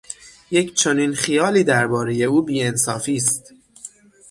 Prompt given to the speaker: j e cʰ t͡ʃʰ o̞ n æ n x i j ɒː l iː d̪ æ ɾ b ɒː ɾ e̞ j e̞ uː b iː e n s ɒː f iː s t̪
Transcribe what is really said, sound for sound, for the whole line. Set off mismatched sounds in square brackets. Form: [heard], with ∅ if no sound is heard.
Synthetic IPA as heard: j e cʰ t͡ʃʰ o̞ n [i] n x i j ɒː l iː d̪ æ ɾ b ɒː ɾ e̞ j e̞ uː b iː e n s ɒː f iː s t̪